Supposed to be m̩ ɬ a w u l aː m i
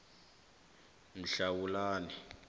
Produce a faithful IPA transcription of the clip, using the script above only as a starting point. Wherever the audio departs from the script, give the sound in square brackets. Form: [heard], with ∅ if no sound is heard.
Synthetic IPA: m̩ ɬ a w u l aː [n] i